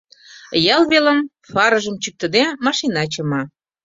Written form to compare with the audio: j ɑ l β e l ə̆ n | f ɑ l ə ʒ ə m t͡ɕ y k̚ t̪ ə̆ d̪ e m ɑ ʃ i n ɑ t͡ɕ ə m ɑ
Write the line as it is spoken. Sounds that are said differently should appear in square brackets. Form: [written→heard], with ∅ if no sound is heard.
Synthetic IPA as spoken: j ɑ l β e l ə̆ [n→m] | f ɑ [l→ɾ] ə ʒ ə m t͡ɕ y k̚ t̪ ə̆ d̪ e m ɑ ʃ i n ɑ t͡ɕ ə m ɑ

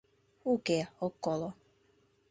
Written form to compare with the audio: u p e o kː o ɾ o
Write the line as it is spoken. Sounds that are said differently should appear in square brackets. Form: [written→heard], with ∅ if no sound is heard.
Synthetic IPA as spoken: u [p→k] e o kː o [ɾ→l] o

